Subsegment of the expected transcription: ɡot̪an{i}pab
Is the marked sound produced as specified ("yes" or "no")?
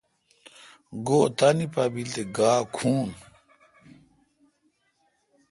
yes